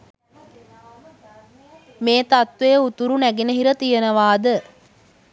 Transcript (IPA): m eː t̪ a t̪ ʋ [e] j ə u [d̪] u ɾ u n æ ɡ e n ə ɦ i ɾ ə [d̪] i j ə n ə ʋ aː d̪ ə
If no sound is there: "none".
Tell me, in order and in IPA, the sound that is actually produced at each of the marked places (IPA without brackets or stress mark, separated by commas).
e, t̪, t̪